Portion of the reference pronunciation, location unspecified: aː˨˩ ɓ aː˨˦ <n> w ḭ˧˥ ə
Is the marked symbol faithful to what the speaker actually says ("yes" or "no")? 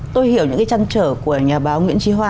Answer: no